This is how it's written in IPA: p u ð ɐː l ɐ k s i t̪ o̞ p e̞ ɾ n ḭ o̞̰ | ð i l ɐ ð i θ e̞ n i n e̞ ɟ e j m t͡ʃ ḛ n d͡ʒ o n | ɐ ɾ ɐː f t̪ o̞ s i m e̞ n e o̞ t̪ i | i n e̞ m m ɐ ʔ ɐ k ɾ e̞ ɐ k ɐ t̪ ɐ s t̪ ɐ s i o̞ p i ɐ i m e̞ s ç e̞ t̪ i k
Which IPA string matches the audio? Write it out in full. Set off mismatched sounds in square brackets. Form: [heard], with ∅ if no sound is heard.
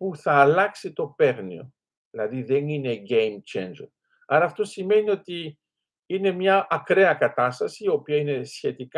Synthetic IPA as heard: p u [θ] ɐː l ɐ k s i t̪ o̞ p e̞ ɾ n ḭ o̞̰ | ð i l ɐ ð i [ð] e̞ n i n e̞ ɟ e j m t͡ʃ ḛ n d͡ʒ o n | ɐ ɾ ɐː f t̪ o̞ s i m e̞ n [i] o̞ t̪ i | i n e̞ m [ɲ] ɐ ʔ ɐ k ɾ e̞ ɐ k ɐ t̪ ɐ s t̪ ɐ s i o̞ p i ɐ i [n] e̞ s ç e̞ t̪ i k